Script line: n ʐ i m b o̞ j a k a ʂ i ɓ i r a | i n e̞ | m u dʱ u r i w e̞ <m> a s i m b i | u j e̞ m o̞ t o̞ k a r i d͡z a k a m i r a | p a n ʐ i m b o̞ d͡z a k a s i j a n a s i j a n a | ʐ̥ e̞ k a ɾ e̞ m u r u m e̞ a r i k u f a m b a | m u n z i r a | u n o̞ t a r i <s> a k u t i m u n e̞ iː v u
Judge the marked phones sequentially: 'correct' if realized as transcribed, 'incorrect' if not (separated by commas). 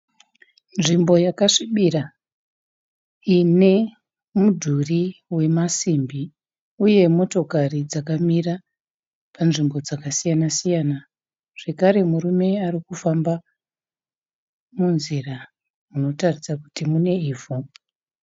correct, correct